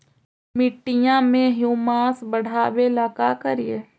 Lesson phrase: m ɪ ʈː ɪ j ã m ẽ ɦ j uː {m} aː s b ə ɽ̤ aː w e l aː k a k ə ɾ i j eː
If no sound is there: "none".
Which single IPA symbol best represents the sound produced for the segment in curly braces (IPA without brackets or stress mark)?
m